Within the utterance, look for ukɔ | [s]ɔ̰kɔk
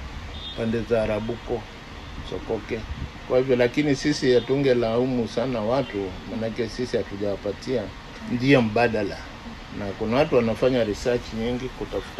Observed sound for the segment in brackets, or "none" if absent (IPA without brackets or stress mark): s